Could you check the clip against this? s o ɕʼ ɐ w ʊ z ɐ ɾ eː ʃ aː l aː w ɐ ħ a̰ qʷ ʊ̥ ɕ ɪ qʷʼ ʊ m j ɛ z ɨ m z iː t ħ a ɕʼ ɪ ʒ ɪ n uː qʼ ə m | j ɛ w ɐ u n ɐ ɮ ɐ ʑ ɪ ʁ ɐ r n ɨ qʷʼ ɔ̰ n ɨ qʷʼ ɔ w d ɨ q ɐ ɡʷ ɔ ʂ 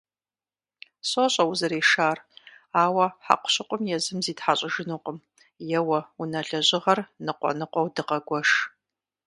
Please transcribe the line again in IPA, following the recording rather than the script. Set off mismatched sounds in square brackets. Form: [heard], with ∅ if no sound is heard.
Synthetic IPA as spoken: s o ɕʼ ɐ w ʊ z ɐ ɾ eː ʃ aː [r] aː w ɐ ħ a̰ qʷ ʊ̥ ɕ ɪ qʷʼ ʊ m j ɛ z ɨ m z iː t ħ a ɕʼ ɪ ʒ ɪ n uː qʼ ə m | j ɛ w ɐ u n ɐ ɮ ɐ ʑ ɪ ʁ ɐ r n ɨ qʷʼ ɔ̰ n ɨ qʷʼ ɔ w d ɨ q ɐ ɡʷ ɔ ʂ